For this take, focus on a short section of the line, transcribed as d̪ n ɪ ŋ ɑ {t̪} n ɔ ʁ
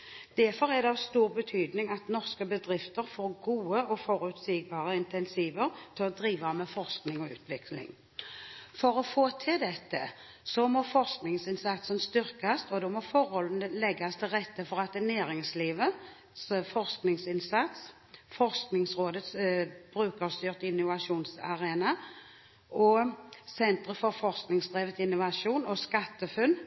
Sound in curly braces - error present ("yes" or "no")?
no